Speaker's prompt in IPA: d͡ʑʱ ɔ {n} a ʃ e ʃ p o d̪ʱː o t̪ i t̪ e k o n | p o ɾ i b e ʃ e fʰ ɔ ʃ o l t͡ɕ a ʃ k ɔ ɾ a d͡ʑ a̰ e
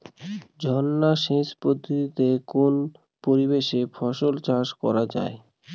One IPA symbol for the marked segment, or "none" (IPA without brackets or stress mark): nː